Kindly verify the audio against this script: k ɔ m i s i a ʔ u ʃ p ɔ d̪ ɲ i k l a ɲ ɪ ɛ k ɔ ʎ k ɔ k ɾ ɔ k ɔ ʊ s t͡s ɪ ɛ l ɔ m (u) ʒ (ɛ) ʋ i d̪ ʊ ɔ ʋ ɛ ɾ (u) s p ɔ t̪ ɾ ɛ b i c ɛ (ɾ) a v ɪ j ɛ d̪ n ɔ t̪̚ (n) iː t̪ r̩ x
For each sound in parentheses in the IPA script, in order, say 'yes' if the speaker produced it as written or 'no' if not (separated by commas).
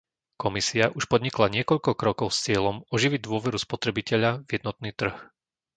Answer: no, no, yes, no, yes